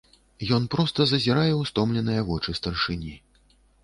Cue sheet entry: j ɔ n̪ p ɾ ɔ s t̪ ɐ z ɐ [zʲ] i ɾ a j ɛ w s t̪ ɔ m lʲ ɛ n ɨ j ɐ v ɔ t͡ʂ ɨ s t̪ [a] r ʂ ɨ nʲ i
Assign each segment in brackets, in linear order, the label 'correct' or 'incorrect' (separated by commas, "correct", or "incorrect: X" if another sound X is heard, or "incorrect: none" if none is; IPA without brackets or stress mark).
correct, incorrect: ɐ